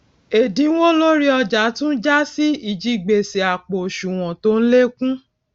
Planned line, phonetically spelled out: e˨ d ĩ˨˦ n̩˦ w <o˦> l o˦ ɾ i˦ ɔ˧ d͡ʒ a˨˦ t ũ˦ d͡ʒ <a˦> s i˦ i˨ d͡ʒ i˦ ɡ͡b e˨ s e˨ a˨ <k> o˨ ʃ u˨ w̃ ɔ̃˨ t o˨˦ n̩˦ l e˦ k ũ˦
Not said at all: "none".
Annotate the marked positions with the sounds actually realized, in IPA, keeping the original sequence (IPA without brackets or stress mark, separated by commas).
o˦, a˦, k͡p